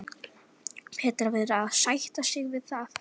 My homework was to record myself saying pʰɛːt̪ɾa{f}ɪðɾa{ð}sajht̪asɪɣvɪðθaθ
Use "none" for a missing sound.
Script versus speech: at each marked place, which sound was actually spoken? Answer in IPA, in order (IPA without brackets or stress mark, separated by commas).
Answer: v, ð